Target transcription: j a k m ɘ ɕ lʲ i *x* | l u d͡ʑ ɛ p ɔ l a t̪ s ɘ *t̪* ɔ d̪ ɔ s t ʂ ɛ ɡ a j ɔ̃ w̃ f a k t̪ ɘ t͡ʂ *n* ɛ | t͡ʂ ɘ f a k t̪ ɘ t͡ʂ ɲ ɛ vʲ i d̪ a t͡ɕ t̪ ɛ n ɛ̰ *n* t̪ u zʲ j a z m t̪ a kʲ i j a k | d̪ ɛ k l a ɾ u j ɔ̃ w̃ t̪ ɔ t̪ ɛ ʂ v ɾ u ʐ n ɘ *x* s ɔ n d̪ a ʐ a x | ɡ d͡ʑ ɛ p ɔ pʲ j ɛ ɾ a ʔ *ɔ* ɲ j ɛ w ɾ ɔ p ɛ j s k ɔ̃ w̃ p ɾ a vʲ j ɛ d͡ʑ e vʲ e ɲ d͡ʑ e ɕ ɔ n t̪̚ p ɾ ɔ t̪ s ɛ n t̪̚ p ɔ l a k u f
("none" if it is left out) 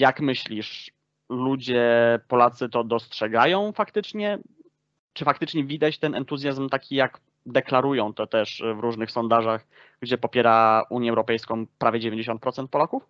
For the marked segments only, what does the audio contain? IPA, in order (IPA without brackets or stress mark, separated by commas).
ʂ, t̪, ɲ, n, x, u